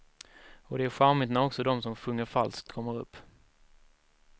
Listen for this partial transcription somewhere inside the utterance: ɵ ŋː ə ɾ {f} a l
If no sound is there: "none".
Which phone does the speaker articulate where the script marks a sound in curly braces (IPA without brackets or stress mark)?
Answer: f